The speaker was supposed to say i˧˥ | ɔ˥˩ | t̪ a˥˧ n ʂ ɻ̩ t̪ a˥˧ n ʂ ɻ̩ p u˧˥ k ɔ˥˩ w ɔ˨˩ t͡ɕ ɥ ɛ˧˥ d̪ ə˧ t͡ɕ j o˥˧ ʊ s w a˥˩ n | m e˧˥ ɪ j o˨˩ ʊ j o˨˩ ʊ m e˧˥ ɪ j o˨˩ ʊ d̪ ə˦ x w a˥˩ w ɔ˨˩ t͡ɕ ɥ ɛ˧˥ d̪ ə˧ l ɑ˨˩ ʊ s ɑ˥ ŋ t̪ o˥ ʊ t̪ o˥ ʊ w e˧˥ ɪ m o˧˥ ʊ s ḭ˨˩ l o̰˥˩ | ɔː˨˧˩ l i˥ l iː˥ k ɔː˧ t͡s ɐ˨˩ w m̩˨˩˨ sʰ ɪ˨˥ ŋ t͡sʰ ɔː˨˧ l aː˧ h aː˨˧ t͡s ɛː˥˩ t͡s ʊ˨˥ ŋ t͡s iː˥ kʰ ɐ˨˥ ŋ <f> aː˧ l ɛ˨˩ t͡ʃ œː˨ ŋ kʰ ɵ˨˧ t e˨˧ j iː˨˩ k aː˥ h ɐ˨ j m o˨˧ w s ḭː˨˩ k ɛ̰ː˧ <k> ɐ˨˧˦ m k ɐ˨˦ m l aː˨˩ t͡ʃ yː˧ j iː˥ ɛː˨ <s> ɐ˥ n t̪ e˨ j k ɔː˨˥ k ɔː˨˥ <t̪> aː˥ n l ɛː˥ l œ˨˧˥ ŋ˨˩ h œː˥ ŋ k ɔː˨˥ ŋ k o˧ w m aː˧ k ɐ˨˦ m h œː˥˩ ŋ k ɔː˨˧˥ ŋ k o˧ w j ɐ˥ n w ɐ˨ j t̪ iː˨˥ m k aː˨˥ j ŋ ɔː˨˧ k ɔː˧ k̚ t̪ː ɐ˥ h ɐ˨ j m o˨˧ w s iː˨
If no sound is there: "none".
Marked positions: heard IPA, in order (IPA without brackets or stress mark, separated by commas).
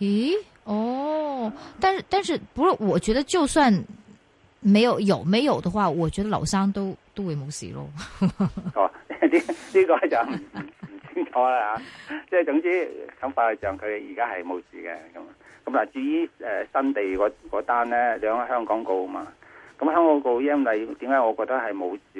f, k, s, t̪